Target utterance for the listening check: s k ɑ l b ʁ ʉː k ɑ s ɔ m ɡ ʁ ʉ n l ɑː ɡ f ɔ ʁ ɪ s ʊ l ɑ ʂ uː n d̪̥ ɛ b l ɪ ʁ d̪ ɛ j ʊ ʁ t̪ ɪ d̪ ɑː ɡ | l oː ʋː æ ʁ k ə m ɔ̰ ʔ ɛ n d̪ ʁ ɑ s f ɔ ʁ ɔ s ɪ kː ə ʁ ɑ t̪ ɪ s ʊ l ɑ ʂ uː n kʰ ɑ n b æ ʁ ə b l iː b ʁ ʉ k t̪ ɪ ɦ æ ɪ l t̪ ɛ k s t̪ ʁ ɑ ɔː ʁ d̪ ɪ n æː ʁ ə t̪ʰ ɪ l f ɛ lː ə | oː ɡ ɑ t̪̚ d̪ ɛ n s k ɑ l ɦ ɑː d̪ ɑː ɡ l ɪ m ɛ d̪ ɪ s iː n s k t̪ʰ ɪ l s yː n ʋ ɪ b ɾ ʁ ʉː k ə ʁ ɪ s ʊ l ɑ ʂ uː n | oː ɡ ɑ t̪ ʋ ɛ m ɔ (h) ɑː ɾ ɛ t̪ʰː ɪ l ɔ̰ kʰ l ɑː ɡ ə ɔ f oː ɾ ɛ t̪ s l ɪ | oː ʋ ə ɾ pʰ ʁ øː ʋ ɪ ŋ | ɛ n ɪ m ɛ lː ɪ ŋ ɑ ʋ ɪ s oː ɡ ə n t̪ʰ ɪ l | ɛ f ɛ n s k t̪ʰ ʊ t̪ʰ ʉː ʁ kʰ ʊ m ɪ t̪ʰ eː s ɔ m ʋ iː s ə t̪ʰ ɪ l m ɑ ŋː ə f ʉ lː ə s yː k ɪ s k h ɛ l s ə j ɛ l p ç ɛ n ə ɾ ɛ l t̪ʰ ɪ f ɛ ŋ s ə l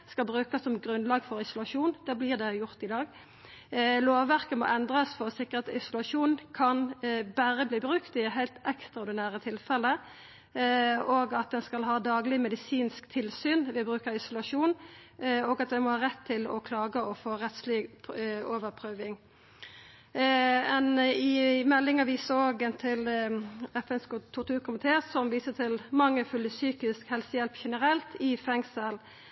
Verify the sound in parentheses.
correct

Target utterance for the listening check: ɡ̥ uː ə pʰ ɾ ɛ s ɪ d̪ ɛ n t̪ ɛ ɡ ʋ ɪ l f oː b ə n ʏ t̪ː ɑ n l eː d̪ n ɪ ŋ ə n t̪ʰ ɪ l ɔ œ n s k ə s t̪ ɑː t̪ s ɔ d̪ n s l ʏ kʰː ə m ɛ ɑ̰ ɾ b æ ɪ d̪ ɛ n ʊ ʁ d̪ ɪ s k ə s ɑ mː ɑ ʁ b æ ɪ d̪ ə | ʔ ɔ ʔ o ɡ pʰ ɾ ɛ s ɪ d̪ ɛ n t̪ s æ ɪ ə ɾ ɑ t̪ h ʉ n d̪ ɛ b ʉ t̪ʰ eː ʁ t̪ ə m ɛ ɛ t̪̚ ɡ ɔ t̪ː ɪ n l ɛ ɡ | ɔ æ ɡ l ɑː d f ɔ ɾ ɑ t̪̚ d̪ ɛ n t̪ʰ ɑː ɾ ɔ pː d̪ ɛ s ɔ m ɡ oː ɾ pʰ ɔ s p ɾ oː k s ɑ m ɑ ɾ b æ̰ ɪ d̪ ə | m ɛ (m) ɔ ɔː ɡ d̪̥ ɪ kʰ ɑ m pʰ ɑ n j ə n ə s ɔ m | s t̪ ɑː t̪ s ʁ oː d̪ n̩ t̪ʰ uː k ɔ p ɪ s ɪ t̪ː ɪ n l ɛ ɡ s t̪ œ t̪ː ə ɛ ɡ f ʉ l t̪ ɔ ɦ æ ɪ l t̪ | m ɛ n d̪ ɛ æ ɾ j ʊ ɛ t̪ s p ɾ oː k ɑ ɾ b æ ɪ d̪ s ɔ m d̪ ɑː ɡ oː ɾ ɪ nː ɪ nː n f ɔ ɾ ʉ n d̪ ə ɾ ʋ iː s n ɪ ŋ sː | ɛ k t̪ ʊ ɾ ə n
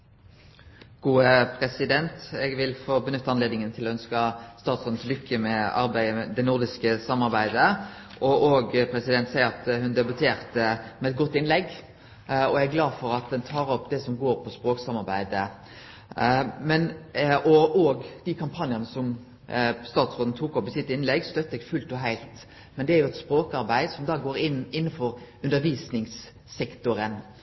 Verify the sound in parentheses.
incorrect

